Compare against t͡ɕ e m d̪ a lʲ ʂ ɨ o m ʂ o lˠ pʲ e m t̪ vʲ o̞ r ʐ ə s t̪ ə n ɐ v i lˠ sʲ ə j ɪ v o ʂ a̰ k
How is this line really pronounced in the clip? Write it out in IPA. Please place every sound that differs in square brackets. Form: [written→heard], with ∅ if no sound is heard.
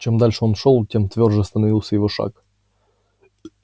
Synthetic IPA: t͡ɕ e m d̪ a lʲ ʂ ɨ o [m→n] ʂ o lˠ [pʲ→tʲ] e m t̪ vʲ o̞ r ʐ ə s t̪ ə n ɐ v i lˠ sʲ ə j ɪ v o ʂ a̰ k